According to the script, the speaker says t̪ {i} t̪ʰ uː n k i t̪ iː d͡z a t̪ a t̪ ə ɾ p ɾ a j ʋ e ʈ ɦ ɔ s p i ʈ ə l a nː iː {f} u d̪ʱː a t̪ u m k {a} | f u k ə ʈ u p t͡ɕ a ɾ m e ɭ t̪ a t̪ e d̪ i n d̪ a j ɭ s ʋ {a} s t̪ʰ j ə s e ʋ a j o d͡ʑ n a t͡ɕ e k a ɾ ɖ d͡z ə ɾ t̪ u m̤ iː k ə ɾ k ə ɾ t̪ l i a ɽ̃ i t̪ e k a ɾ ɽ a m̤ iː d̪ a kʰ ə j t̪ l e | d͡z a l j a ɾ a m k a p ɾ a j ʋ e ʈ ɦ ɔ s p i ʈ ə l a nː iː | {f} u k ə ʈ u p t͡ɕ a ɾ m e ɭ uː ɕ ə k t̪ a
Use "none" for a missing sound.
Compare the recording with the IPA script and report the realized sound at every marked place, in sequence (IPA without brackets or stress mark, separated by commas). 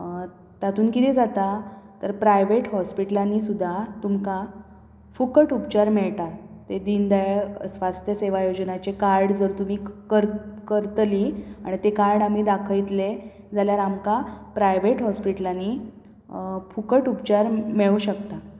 a, s, a, a, f